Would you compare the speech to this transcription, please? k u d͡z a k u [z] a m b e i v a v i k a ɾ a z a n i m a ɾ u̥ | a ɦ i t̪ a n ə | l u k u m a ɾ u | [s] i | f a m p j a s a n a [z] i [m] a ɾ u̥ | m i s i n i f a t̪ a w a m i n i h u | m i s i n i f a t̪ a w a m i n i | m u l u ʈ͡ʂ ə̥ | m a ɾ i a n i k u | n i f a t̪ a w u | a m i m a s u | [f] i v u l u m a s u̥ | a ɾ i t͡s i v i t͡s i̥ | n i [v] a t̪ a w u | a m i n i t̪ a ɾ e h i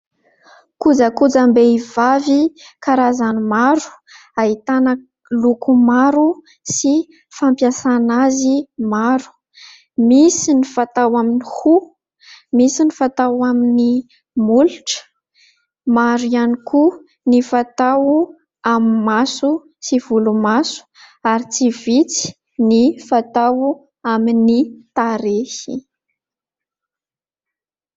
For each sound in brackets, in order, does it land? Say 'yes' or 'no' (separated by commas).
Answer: no, yes, yes, yes, no, no